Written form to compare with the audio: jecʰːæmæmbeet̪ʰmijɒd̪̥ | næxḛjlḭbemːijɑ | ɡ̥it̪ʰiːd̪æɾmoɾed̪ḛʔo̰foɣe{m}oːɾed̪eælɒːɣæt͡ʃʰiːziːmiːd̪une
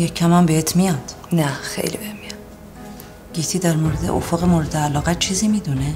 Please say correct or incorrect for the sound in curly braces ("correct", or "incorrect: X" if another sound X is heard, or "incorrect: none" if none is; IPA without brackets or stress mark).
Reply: correct